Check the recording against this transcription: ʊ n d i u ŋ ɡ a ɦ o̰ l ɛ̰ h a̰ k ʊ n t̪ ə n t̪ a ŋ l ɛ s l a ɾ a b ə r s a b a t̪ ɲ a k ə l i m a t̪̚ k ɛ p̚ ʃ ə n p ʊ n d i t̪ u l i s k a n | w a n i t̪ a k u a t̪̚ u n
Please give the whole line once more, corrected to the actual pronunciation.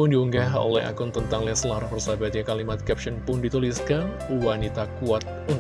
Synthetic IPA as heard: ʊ n d i u ŋ ɡ a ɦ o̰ l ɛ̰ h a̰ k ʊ n t̪ ə n t̪ a ŋ l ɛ s l a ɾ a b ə r s a b a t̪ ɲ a k a l i m a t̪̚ k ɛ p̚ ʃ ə n p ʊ n d i t̪ u l i s k a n | w a n i t̪ a k u a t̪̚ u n